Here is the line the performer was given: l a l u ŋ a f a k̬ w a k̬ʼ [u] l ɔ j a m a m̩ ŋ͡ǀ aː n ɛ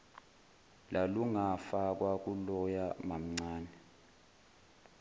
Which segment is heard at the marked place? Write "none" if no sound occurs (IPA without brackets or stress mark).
u